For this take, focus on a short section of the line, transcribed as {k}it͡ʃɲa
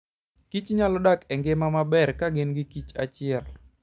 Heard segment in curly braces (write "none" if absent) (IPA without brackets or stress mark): k